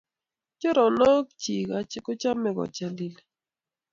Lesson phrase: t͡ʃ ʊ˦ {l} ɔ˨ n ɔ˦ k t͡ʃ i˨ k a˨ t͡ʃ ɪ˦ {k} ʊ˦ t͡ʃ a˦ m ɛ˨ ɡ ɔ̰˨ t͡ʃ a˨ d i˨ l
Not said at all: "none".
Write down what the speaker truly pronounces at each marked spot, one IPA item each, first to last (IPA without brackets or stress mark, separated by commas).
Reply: ɾ, k